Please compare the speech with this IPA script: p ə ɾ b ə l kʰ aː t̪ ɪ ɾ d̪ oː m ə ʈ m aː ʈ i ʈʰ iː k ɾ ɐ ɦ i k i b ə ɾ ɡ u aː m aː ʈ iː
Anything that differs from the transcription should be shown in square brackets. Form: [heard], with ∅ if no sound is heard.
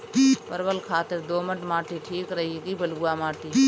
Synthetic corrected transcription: p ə ɾ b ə l kʰ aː t̪ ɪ ɾ d̪ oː m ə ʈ m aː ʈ i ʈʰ iː k ɾ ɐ ɦ i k i b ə [l] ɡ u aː m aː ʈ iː